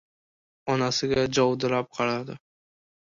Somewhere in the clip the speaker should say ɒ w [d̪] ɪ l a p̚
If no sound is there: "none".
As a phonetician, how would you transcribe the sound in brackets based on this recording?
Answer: d̪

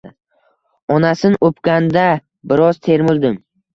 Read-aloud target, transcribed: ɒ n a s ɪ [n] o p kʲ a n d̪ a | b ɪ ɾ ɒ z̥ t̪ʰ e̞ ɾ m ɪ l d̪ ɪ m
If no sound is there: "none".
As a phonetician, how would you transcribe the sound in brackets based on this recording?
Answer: n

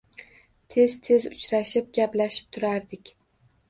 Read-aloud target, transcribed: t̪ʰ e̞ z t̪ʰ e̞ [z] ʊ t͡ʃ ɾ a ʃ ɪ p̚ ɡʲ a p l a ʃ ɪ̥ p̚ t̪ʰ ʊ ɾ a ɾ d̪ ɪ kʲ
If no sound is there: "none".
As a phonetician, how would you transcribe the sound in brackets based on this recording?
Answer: z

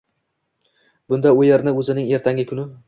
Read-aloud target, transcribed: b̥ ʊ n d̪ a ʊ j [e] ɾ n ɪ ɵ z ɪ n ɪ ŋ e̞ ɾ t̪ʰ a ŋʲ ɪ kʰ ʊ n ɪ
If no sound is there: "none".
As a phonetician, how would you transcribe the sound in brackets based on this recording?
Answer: e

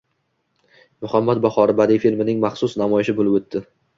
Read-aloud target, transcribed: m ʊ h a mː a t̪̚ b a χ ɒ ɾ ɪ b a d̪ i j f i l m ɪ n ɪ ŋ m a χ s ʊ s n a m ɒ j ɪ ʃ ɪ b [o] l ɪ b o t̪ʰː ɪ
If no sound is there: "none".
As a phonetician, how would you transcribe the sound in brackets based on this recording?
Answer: o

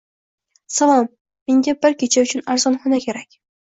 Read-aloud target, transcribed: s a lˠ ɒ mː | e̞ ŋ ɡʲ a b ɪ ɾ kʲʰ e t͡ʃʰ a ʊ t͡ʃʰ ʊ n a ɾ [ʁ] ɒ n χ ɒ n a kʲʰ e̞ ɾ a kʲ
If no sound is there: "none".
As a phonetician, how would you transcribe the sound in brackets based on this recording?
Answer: z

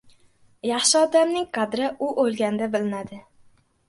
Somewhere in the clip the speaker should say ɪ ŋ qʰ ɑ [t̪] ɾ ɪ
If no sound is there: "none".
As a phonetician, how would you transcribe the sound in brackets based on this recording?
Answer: d̪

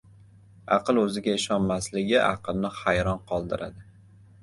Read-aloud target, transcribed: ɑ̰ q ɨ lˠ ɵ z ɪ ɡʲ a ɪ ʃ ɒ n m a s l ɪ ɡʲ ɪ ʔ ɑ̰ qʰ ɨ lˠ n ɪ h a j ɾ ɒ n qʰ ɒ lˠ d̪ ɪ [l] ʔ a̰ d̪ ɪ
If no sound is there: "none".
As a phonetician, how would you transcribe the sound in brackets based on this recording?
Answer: ɾ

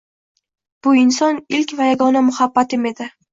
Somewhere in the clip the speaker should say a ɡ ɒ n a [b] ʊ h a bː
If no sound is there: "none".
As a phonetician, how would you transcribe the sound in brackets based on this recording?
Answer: m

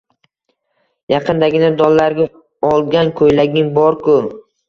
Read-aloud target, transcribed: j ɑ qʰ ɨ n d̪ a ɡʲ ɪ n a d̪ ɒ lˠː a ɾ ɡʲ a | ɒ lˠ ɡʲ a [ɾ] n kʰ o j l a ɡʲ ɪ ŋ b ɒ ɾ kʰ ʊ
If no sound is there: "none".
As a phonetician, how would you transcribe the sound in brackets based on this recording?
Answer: none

